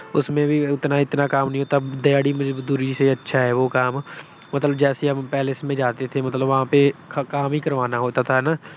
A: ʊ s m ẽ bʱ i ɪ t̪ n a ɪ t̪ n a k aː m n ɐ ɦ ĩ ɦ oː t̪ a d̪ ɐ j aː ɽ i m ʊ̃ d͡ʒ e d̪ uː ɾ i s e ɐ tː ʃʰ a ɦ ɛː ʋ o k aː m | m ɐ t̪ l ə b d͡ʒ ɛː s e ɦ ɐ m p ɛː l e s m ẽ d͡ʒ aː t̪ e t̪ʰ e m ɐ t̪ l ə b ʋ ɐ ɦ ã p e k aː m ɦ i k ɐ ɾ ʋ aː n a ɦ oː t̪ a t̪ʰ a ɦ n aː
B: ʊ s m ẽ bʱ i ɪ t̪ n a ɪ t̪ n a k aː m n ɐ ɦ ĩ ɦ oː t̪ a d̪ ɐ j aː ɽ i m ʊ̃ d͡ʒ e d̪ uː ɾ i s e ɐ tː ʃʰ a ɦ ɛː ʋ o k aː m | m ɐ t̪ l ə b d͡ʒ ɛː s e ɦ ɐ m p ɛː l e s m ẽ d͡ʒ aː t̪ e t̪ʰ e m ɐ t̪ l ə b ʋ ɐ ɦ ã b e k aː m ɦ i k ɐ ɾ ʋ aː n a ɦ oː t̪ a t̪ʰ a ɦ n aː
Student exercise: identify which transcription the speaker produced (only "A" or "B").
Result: A